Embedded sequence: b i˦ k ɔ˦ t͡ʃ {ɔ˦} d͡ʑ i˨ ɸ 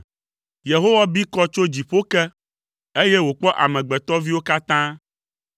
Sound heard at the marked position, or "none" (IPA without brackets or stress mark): o˦